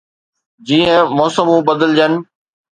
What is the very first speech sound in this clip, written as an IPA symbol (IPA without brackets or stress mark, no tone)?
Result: d͡ʑ